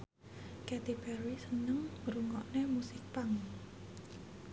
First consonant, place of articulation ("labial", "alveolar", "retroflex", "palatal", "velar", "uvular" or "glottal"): velar